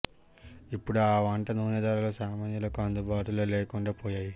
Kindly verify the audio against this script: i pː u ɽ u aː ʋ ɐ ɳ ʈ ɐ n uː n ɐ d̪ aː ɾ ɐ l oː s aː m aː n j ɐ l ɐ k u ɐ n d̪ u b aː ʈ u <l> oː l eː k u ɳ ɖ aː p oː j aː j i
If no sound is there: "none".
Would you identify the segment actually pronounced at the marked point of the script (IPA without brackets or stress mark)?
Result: l